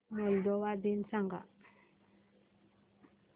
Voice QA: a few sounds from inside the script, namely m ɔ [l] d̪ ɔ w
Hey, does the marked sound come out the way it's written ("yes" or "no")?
yes